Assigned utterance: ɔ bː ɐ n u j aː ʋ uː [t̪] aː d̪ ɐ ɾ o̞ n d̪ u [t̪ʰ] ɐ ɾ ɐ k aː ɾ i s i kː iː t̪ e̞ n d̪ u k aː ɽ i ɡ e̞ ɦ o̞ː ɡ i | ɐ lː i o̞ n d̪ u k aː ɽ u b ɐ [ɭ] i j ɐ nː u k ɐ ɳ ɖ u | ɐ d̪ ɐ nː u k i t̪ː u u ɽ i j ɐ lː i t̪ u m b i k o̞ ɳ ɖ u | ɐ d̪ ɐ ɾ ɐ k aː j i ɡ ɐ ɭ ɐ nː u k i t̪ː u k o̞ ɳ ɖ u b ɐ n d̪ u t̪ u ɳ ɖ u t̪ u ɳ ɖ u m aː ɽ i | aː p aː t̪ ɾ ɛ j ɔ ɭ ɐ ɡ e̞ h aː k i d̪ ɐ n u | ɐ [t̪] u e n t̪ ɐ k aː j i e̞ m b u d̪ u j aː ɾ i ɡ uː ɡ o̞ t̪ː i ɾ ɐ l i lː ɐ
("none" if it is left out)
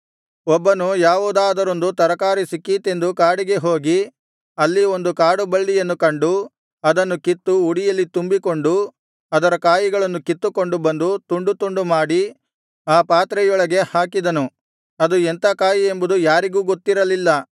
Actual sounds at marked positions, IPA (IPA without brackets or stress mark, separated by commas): d̪, t̪, ɭː, d̪